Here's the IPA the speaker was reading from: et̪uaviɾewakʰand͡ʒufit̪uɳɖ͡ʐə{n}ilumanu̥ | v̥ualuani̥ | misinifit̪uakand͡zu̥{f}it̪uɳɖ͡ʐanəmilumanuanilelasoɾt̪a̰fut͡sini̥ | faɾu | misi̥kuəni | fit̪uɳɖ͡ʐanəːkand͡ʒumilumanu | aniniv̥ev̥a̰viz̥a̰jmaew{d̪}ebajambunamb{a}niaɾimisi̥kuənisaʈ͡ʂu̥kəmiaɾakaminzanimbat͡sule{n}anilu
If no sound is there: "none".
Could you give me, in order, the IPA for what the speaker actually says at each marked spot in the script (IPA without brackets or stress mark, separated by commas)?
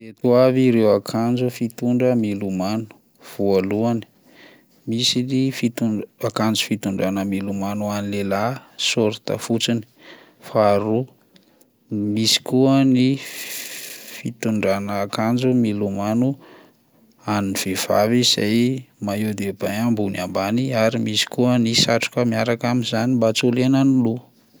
m, f, d̪, a, n